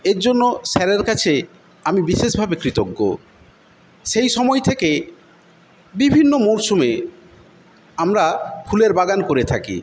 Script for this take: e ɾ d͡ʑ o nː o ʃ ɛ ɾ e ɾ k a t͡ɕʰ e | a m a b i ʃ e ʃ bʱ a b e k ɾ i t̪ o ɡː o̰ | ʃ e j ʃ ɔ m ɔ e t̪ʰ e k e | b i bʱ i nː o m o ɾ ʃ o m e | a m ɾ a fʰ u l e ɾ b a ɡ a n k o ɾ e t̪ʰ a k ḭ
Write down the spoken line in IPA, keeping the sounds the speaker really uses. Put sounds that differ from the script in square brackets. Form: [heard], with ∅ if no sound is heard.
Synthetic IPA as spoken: e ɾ d͡ʑ o nː o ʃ ɛ ɾ e ɾ k a t͡ɕʰ e | a m [i] b i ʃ e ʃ bʱ a b e k ɾ i t̪ o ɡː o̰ | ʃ e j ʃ ɔ m ɔ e t̪ʰ e k e | b i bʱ i nː o m o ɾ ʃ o m e | a m ɾ a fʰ u l e ɾ b a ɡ a n k o ɾ e t̪ʰ a k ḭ